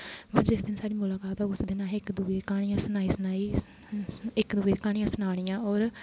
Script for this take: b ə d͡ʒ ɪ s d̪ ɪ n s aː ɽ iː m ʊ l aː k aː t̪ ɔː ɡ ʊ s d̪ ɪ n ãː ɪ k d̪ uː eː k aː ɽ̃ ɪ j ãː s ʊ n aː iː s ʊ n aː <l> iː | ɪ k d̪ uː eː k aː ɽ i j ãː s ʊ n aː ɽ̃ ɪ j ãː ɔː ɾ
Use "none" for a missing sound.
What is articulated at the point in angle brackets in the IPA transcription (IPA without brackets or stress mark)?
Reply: none